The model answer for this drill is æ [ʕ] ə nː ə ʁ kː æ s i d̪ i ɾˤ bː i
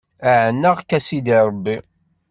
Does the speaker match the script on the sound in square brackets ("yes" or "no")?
yes